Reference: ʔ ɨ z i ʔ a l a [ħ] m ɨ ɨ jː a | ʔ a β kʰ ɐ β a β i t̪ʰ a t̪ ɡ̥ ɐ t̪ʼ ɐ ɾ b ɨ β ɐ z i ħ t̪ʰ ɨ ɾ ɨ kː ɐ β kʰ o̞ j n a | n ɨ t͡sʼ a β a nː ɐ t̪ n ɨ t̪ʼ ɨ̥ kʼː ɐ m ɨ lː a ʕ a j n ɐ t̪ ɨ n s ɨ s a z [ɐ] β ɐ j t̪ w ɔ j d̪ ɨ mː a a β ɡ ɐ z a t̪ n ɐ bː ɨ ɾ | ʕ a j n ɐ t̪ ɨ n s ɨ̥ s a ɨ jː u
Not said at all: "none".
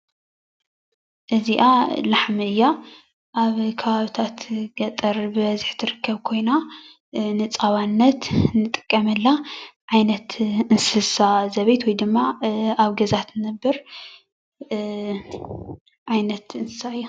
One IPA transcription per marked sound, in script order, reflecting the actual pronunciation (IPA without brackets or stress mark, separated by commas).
ħ, ɐ